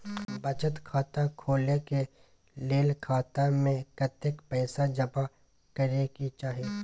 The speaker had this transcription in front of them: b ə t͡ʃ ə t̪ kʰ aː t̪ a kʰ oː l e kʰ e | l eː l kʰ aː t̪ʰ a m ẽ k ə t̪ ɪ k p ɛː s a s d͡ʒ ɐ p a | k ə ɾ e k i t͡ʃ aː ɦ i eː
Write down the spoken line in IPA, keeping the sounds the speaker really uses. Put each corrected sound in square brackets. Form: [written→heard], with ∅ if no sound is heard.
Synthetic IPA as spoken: b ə t͡ʃ ə t̪ kʰ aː t̪ a kʰ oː l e [kʰ→k] e | l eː l kʰ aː [t̪ʰ→t̪] a m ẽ k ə t̪ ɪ k p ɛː s a [s→∅] d͡ʒ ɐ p a | k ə ɾ e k i t͡ʃ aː ɦ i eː